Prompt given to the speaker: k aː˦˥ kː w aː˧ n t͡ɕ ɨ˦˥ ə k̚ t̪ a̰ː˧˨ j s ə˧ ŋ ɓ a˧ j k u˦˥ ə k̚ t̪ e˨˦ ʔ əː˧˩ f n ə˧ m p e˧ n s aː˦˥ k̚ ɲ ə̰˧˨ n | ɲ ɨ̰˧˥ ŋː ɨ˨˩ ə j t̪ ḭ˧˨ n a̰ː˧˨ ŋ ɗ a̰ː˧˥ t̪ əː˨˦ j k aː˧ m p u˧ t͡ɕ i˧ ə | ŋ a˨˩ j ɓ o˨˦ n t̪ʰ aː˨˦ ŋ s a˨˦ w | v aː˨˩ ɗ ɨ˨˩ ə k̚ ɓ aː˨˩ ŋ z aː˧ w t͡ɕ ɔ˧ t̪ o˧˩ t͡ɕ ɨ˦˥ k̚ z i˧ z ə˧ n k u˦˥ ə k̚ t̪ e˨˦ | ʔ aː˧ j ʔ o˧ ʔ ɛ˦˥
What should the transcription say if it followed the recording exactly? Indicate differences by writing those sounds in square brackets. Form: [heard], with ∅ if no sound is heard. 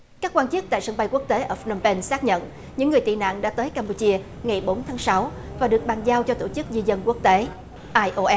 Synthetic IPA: k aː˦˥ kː w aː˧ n t͡ɕ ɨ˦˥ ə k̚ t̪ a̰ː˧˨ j s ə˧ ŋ ɓ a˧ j k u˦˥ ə k̚ t̪ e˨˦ ʔ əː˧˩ f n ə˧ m p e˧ n s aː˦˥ k̚ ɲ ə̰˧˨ n | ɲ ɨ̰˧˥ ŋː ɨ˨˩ ə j t̪ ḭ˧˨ n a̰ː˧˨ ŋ ɗ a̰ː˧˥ t̪ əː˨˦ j k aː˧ m p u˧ t͡ɕ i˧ ə | ŋ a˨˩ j ɓ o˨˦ n t̪ʰ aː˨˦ ŋ s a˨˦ w | v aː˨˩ ɗ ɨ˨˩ ə k̚ ɓ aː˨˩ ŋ z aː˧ w t͡ɕ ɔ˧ t̪ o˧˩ t͡ɕ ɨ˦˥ k̚ z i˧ z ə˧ n k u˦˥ ə k̚ t̪ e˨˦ | ʔ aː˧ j ʔ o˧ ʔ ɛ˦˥